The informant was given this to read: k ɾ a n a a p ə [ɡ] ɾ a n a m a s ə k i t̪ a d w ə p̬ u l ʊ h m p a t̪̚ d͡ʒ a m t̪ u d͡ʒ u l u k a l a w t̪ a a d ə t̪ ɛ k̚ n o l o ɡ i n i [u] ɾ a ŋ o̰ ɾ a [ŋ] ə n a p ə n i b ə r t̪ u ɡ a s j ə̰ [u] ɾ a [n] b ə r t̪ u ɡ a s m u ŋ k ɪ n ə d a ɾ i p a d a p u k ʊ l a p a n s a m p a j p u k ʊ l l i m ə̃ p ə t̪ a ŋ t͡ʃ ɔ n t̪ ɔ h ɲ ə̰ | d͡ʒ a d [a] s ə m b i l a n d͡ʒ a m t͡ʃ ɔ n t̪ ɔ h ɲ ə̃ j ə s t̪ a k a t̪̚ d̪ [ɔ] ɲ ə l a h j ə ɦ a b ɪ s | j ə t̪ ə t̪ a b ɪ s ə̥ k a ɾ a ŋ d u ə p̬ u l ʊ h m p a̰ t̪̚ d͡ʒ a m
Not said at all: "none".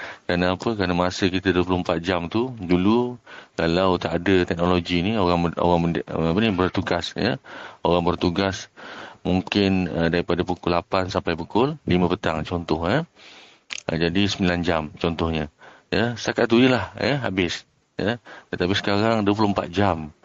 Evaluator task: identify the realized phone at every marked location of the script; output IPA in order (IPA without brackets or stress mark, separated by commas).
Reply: k, o, ŋ, o, ŋ, i, u